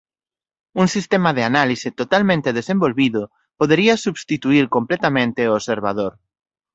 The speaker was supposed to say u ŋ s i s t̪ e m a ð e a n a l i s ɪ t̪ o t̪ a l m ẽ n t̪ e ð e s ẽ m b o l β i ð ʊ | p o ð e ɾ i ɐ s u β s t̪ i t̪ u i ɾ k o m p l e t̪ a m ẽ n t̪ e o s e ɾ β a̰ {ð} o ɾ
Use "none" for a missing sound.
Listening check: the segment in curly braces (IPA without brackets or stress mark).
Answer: ð